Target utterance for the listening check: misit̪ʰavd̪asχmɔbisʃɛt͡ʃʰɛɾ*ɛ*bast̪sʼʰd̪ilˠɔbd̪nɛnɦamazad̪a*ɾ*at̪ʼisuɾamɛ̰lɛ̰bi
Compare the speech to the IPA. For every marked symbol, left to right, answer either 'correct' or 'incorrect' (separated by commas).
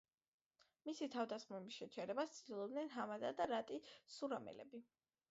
correct, correct